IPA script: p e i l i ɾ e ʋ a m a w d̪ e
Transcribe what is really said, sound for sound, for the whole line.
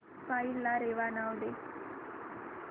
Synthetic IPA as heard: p a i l a ɾ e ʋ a n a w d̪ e

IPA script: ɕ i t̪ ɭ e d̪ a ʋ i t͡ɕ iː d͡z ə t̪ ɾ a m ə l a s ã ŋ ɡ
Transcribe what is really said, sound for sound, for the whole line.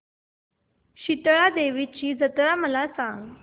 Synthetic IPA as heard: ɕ i t̪ ɭ a d̪ e ʋ i t͡ɕ iː d͡z ə t̪ ɾ a m ə l a s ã ŋ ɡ

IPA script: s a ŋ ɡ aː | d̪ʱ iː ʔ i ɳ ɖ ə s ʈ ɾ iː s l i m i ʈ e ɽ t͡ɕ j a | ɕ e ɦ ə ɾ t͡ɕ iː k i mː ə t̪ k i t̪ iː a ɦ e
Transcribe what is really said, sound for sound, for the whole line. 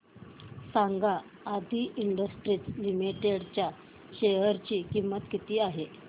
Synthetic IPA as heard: s a ŋ ɡ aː | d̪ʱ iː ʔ i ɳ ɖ ə s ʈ ɾ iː t͡s l i m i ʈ e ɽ t͡ɕ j a | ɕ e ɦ ə ɾ t͡ɕ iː k i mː ə t̪ k i t̪ iː a ɦ e

